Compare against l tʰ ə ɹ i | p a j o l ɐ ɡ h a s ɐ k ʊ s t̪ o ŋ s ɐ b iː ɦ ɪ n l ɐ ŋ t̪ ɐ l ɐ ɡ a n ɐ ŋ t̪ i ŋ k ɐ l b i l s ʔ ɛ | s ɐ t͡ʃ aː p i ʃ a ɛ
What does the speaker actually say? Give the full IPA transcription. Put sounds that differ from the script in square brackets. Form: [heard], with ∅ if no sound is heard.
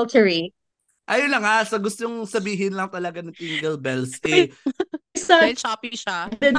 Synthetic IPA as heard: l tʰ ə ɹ i | [ʔ] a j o l ɐ [ŋ] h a s ɐ [ɡ] ʊ s t̪ o ŋ s ɐ b iː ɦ ɪ n l ɐ ŋ t̪ ɐ l ɐ ɡ a n ɐ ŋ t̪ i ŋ [ɡ] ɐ l b [ɛ] l s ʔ ɛ | s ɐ t͡ʃ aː p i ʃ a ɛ